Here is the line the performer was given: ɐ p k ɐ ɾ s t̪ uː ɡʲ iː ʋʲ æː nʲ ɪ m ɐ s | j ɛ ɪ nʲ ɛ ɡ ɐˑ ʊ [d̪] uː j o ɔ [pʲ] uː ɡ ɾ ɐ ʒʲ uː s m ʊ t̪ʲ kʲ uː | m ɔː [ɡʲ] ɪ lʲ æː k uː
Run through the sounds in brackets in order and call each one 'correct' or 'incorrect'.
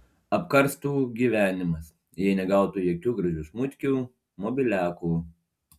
incorrect: t̪, incorrect: kʲ, incorrect: bʲ

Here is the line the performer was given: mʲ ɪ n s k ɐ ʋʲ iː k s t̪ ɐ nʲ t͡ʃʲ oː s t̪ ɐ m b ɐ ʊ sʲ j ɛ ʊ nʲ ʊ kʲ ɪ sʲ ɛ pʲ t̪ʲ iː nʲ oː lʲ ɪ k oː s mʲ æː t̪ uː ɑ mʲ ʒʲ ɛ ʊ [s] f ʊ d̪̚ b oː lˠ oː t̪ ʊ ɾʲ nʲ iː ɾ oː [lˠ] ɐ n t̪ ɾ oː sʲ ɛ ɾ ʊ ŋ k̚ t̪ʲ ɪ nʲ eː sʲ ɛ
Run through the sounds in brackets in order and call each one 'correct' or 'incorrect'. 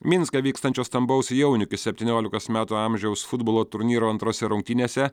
correct, incorrect: none

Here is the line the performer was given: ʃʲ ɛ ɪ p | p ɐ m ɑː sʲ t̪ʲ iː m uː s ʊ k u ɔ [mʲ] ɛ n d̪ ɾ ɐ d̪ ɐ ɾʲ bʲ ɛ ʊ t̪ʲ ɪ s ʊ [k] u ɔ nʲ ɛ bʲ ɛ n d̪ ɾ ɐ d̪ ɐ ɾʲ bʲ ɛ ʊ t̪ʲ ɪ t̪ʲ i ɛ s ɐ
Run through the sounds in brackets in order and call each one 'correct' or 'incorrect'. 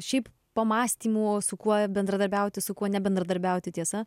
incorrect: bʲ, correct

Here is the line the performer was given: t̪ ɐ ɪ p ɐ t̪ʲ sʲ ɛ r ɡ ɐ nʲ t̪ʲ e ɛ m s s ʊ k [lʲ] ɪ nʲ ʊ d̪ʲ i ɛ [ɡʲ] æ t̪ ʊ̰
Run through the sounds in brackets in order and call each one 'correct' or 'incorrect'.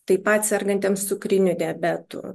incorrect: ɾʲ, incorrect: bʲ

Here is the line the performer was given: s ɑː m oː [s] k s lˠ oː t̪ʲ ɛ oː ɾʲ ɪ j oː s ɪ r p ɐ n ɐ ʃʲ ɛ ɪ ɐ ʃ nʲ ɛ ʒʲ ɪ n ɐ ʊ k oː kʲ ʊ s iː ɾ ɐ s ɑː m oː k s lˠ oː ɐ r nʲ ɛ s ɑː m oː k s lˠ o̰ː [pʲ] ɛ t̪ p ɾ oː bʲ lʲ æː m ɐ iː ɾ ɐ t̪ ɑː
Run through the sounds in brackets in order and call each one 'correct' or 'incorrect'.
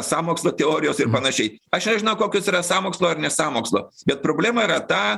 incorrect: none, incorrect: bʲ

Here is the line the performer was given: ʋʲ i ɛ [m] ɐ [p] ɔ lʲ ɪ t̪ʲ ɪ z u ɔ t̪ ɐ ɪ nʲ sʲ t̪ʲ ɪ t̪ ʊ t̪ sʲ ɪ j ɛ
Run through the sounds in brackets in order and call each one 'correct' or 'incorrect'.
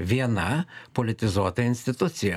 incorrect: n, correct

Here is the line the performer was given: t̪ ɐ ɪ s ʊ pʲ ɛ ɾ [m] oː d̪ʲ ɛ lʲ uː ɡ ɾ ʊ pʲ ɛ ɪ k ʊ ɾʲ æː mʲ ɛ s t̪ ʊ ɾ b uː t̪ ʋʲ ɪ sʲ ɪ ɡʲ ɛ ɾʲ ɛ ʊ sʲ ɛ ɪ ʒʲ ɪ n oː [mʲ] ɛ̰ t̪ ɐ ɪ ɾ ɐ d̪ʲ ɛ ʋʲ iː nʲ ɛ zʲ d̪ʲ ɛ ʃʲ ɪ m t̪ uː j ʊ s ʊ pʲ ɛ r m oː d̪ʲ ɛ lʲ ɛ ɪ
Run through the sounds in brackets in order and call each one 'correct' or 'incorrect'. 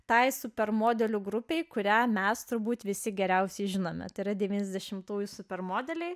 correct, correct

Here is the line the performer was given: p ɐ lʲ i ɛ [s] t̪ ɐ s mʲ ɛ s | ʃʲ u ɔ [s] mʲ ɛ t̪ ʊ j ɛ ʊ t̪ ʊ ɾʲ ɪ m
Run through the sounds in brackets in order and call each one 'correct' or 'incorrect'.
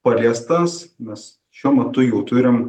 correct, incorrect: none

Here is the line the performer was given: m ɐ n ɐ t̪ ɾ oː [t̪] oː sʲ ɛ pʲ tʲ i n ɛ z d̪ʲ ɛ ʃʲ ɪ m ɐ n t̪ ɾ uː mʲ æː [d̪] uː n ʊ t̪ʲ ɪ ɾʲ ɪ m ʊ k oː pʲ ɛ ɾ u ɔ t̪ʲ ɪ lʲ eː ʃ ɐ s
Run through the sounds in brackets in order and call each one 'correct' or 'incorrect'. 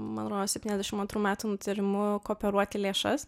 incorrect: d̪, incorrect: t̪

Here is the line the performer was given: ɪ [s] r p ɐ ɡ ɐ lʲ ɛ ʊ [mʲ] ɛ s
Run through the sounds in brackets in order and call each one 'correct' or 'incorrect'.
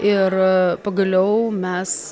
incorrect: none, correct

